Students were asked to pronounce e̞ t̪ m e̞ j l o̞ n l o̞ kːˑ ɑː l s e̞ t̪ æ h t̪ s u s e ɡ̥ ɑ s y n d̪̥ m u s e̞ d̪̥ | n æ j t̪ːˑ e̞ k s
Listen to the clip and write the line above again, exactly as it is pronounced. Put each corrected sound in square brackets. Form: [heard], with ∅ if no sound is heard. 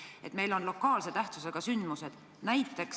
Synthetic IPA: e̞ t̪ m e̞ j l o̞ n l o̞ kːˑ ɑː l s e̞ t̪ æ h t̪ s u s e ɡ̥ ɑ s y n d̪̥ m u s e̞ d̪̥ | n æ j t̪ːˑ e̞ k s